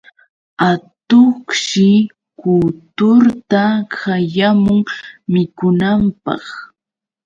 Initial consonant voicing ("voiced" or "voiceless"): voiceless